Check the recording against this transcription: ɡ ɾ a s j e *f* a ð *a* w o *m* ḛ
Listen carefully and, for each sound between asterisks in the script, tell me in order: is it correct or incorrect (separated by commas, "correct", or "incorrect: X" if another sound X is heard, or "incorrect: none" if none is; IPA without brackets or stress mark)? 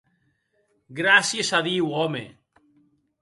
incorrect: s, incorrect: i, correct